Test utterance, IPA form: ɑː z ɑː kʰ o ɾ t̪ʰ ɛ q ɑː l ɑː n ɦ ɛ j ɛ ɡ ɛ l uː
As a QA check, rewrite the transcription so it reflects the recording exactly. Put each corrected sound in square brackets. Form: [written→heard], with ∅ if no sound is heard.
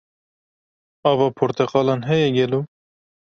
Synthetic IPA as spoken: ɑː [z→v] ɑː [kʰ→pʰ] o ɾ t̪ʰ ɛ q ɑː l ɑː n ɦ ɛ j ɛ ɡ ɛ l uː

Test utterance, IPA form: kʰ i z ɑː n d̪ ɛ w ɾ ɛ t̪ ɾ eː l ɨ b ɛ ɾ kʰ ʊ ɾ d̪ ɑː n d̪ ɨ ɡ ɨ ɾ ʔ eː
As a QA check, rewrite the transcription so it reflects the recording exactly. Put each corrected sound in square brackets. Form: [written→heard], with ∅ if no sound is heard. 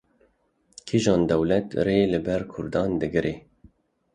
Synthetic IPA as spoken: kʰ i [z→ʒ] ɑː n d̪ ɛ w [ɾ→l] ɛ t̪ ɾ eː l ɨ b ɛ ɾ kʰ ʊ ɾ d̪ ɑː n d̪ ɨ ɡ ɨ ɾ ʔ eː

